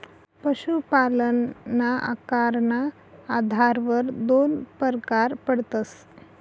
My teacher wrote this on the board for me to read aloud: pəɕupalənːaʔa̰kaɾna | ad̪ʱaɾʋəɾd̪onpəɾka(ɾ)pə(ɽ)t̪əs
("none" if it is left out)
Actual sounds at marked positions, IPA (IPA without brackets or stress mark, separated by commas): ɾ, ɽ